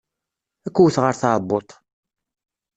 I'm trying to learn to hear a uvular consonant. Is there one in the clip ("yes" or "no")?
yes